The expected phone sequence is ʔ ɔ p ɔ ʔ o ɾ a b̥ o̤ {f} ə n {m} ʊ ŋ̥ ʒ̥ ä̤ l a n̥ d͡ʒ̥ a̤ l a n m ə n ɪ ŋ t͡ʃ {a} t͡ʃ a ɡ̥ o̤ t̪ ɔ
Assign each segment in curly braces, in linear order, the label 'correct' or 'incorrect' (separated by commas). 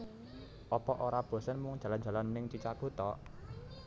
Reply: incorrect, correct, incorrect